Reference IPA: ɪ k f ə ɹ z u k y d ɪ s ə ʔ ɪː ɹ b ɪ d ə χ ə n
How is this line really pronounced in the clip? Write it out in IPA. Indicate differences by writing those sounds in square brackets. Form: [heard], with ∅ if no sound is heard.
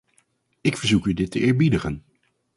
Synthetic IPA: ɪ k f ə ɹ z u k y d ɪ [t] ə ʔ ɪː ɹ b [i] d ə χ ə n